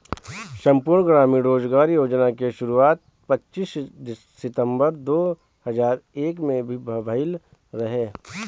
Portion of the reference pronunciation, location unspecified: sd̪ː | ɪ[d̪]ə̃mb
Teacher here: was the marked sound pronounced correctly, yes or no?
no